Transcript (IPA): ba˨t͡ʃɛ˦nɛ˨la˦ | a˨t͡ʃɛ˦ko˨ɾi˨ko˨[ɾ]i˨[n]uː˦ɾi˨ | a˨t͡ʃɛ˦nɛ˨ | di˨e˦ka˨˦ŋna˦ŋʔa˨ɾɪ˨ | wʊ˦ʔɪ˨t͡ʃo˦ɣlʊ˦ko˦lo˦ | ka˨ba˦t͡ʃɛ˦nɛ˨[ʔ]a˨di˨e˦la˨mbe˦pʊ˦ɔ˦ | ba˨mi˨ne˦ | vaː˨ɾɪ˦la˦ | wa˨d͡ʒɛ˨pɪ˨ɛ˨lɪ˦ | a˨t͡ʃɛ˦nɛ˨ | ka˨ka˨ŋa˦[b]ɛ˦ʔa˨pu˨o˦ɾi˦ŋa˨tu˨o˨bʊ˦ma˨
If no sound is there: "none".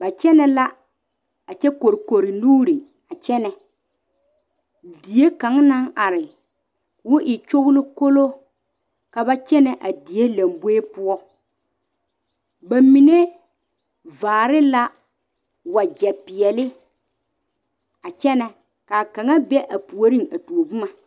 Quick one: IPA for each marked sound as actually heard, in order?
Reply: ɾ, n, ʔ, b

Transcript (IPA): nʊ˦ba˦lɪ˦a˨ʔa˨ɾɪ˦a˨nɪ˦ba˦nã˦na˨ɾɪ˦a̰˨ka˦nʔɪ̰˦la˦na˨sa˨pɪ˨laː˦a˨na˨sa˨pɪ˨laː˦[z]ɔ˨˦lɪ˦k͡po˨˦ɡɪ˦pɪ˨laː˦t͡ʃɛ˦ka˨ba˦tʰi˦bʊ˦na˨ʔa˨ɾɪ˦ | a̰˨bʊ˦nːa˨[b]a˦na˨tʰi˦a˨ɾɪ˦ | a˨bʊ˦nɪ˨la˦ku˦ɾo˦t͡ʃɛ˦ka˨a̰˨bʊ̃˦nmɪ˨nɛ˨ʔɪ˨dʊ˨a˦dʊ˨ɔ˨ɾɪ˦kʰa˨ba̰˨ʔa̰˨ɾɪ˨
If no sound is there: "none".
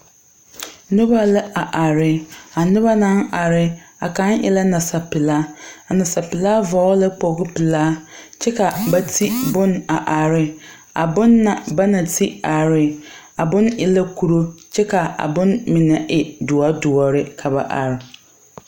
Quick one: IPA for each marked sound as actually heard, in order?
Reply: v, b

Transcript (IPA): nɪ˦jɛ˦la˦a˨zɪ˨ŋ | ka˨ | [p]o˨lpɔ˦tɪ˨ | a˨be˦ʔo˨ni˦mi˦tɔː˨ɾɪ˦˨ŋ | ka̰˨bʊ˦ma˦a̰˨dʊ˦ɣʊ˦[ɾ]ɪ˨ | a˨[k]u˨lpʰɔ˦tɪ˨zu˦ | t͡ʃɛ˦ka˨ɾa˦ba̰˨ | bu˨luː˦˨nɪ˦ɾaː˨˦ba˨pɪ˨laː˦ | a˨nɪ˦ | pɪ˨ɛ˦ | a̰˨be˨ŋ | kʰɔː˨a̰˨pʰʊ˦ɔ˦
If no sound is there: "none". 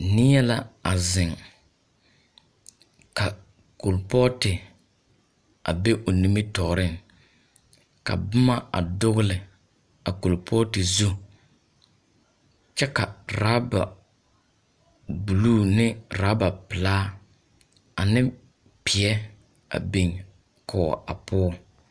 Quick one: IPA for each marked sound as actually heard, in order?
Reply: k, l, k

